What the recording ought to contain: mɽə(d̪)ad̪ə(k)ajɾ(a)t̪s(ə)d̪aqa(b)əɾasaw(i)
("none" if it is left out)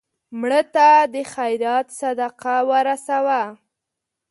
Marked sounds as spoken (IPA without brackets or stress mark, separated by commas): t̪, x, ɑ, a, w, a